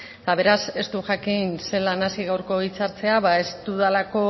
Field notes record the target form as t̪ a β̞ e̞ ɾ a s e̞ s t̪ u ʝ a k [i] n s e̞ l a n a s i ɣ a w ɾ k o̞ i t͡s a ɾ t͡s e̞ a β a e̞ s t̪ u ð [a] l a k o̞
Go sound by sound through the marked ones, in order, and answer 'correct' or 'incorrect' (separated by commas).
correct, correct